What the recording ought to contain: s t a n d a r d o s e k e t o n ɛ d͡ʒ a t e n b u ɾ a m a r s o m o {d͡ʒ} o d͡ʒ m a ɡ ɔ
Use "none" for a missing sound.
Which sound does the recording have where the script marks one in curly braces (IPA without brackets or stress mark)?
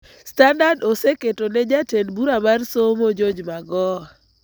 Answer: d͡ʒ